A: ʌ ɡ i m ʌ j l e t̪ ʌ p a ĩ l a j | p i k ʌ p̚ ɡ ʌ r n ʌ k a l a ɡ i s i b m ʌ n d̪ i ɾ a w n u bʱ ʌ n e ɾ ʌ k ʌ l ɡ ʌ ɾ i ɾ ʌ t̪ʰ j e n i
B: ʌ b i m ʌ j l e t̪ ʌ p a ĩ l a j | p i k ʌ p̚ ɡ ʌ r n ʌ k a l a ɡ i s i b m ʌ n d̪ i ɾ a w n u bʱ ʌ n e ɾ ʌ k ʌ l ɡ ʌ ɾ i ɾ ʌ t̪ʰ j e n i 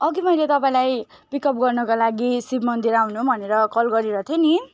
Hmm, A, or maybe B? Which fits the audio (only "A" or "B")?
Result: A